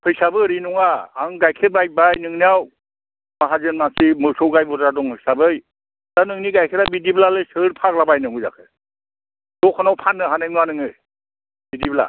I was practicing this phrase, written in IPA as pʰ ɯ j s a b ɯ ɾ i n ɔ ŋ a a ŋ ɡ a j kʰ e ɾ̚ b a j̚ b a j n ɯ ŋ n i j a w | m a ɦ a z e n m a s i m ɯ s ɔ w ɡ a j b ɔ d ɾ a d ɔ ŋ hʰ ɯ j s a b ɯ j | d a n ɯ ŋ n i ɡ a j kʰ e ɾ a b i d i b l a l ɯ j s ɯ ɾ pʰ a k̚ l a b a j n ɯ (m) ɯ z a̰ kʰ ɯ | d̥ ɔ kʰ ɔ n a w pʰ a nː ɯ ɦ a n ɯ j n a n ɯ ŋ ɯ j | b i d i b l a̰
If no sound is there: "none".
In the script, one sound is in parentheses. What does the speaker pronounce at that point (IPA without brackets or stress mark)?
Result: ŋ